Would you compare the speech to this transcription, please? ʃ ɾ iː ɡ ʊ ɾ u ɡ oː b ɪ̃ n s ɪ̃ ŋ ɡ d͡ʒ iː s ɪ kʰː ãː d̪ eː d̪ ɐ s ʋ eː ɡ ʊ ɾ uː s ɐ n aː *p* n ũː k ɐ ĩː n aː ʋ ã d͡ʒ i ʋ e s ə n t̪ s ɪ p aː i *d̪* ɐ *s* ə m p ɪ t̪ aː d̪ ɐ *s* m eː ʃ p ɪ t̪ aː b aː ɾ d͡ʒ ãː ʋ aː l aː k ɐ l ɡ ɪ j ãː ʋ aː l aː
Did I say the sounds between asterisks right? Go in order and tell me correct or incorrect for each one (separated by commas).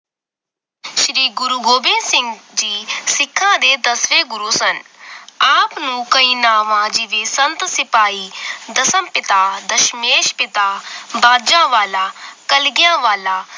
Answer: correct, correct, correct, incorrect